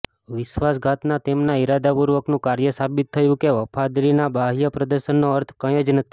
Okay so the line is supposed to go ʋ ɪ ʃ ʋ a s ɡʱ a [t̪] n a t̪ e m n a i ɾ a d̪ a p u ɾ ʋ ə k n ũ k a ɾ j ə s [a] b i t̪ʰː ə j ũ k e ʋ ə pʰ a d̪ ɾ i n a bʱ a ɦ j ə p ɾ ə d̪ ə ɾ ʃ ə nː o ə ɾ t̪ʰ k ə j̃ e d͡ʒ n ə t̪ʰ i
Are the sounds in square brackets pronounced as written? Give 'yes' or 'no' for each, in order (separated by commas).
yes, yes